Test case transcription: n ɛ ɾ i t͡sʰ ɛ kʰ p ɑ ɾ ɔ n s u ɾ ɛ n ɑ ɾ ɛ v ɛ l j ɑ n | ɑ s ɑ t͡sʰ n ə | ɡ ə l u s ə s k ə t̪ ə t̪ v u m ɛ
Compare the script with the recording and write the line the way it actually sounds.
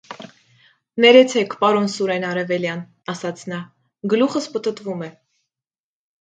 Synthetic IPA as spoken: n ɛ ɾ ɛ t͡sʰ ɛ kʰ p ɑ ɾ ɔ n s u ɾ ɛ n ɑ ɾ ɛ v ɛ l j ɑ n | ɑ s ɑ t͡sʰ n ɑ | ɡ ə l u χ ə s p ə t̪ ə t̪ v u m ɛ